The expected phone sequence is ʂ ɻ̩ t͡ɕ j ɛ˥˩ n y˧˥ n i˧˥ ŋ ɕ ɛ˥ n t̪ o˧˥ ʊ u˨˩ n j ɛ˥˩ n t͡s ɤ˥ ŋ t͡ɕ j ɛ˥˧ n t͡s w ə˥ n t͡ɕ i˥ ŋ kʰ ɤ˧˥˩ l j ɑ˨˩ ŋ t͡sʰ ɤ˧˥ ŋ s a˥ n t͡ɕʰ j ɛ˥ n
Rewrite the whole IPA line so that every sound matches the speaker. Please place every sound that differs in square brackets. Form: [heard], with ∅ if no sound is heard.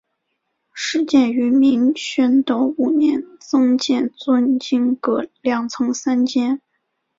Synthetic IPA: ʂ ɻ̩ t͡ɕ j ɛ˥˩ n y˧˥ [m] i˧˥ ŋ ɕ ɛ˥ n t̪ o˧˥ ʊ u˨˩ n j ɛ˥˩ n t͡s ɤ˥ ŋ t͡ɕ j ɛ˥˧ n t͡s w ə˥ n t͡ɕ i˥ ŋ [k] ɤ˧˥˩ l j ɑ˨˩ ŋ t͡sʰ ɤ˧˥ ŋ s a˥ n [t͡ɕ] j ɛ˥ n